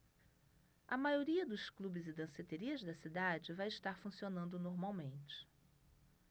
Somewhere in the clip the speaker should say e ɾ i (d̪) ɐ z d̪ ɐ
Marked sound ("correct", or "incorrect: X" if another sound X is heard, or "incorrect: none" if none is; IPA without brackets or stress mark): incorrect: none